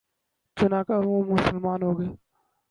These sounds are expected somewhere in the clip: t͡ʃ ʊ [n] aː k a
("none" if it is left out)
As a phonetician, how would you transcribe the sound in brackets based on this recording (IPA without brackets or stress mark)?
n